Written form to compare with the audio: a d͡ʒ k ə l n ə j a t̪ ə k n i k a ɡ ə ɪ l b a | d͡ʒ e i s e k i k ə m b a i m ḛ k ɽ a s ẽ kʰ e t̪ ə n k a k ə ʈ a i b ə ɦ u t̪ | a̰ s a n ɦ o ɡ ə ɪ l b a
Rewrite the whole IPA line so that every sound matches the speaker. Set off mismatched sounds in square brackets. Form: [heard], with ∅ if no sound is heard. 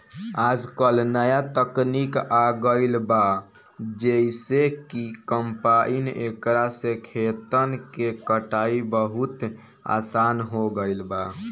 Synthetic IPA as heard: a d͡ʒ k ə l n ə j a t̪ ə k n i k a ɡ ə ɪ l b a | d͡ʒ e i s e k i k ə m [p] a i [n] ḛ k [ɾ] a s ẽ kʰ e t̪ ə n k [e] k ə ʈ a i b ə ɦ u t̪ | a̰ s a n ɦ o ɡ ə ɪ l b a